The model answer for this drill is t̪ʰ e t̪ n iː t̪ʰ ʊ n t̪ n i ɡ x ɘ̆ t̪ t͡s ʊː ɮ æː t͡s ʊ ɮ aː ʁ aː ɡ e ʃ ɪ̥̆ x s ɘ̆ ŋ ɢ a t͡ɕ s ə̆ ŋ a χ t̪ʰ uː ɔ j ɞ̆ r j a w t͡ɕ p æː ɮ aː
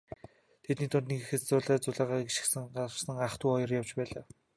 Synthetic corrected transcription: t̪ʰ e t̪ n iː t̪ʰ ʊ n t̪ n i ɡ x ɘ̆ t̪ t͡s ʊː ɮ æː t͡s ʊ ɮ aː ʁ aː ɡ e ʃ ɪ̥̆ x s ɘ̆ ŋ ɢ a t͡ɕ s ə̆ ŋ a χ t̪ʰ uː ɔ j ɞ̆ r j a w t͡ɕ p æː ɮ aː